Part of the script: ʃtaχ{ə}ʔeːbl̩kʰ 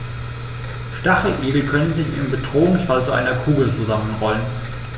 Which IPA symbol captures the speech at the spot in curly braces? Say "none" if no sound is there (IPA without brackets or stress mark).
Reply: ə